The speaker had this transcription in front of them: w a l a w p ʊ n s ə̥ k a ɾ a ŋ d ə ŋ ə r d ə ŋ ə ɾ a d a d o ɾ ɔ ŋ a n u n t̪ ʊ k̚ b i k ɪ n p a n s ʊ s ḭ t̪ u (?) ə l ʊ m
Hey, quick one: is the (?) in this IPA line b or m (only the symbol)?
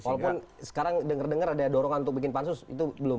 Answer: b